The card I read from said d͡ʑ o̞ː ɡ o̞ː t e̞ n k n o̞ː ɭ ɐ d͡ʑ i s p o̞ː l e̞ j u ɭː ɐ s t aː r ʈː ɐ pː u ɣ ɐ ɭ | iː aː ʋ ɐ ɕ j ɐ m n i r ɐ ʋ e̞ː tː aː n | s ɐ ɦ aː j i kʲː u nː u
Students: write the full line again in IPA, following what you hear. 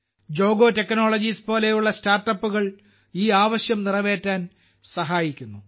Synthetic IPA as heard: d͡ʑ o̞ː ɡ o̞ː t e̞ k n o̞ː ɭ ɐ d͡ʑ i s p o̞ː l e̞ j u ɭː ɐ s t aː r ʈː ɐ pː u ɣ ɐ ɭ | iː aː ʋ ɐ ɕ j ɐ m n i r ɐ ʋ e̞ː tː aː n | s ɐ ɦ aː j i kʲː u nː u